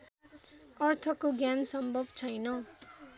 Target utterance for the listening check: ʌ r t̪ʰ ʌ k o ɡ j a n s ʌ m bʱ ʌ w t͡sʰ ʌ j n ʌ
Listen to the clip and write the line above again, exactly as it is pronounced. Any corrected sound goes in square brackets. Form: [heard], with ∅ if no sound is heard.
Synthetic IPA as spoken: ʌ r t̪ʰ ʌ k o ɡ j a n s ʌ m bʱ ʌ [b] t͡sʰ ʌ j n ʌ